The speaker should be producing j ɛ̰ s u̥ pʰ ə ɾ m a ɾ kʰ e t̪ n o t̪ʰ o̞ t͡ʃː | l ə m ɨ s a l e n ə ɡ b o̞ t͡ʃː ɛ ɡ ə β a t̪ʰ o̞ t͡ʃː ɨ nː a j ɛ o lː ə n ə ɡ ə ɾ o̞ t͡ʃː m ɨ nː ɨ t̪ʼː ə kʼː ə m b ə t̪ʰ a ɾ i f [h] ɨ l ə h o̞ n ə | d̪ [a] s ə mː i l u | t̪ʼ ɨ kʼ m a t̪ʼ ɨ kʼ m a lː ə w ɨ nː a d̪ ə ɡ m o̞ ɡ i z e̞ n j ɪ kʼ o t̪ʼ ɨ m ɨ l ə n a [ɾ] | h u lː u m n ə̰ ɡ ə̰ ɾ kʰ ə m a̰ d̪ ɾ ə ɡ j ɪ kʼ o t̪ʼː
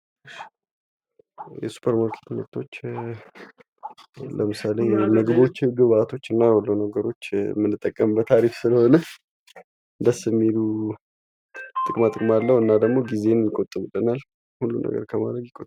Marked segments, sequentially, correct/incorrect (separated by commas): incorrect, incorrect, incorrect